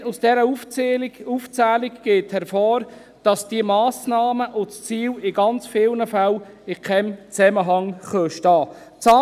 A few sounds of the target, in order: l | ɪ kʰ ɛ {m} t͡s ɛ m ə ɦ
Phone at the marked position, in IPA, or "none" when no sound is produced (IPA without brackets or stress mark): m